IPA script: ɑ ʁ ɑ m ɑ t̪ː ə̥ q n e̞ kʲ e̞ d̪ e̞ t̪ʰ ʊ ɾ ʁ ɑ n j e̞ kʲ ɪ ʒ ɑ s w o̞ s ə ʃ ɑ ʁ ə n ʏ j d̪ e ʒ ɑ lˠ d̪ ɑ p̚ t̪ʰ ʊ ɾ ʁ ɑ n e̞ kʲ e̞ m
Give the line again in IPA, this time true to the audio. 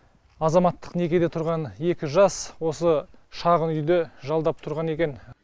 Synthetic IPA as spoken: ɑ z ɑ m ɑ t̪ː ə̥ q n e̞ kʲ e̞ d̪ e̞ t̪ʰ ʊ ɾ ʁ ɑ n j e̞ kʲ ɪ ʒ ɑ s w o̞ s ə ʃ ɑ ʁ ə n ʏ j d̪ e ʒ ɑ lˠ d̪ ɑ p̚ t̪ʰ ʊ ɾ ʁ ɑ n e̞ kʲ e̞ n